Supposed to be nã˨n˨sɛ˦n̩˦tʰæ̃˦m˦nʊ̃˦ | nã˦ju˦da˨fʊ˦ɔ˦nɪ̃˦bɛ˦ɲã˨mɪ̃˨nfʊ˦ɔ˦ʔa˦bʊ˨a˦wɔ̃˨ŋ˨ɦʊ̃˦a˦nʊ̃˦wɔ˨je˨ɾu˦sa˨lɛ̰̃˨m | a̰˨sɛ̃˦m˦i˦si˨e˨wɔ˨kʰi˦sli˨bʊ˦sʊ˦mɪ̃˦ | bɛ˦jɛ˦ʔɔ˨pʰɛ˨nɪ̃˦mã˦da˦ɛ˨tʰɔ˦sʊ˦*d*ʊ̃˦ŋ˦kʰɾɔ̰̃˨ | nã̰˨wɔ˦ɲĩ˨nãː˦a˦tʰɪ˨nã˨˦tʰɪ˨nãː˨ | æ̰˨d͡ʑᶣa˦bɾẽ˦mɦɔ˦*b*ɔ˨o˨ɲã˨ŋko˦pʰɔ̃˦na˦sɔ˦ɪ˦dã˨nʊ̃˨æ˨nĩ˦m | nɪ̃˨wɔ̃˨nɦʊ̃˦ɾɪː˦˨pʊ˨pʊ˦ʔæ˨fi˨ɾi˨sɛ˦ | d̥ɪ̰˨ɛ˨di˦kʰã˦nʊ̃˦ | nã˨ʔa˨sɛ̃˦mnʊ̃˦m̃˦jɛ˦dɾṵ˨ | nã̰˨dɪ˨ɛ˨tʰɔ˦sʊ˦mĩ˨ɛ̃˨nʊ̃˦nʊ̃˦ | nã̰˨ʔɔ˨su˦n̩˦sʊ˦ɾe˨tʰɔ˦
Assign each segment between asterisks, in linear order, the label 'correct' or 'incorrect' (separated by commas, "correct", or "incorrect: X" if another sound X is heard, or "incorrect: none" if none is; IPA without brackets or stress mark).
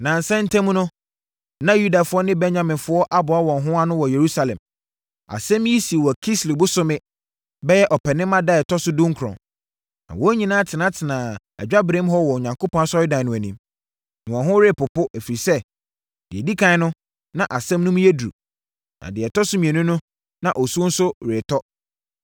correct, incorrect: w